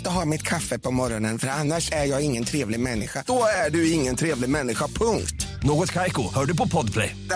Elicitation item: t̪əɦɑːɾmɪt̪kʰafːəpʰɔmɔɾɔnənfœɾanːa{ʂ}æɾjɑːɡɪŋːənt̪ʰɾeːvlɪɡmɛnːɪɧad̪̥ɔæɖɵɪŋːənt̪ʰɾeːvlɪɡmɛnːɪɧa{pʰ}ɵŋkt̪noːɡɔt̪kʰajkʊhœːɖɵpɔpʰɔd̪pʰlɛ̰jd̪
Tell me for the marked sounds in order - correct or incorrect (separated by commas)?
correct, correct